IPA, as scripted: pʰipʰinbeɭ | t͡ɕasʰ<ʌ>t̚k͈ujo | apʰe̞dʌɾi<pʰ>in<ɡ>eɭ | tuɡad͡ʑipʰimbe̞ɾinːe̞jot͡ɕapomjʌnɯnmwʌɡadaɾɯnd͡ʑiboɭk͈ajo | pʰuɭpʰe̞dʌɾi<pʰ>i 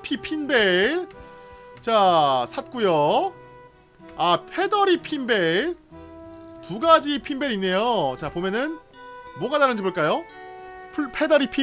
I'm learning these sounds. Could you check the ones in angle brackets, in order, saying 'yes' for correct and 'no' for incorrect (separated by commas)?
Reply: no, yes, no, yes